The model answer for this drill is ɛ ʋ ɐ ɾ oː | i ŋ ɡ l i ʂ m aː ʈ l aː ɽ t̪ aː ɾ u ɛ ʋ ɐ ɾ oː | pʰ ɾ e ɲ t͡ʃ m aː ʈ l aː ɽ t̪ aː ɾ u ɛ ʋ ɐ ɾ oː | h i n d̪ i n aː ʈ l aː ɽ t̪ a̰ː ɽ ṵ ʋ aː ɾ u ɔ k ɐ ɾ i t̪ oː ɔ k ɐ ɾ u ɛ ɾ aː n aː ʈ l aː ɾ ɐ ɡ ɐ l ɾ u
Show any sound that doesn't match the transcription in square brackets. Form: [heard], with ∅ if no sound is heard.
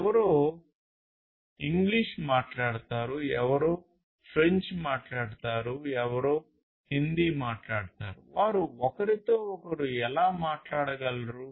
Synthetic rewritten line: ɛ ʋ ɐ ɾ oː | i ŋ ɡ l i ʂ m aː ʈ l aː ɽ t̪ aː ɾ u ɛ ʋ ɐ ɾ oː | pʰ ɾ e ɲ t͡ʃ m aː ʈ l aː ɽ t̪ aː ɾ u ɛ ʋ ɐ ɾ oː | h i n d̪ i [m] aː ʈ l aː ɽ t̪ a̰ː [ɾ] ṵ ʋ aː ɾ u ɔ k ɐ ɾ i t̪ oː ɔ k ɐ ɾ u ɛ [l] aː [m] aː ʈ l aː [ɽ] ɐ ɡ ɐ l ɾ u